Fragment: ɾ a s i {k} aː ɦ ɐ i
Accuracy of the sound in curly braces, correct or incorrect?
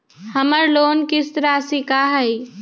correct